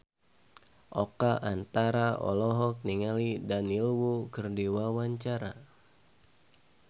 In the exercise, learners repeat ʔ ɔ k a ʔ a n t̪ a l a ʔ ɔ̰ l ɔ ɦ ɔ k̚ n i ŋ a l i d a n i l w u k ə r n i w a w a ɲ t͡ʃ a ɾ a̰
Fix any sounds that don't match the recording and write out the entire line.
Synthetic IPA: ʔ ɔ k a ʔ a n t̪ a ɾ a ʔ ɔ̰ l ɔ ɦ ɔ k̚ n i ŋ a l i d a n i l w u k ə r d i w a w a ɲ t͡ʃ a ɾ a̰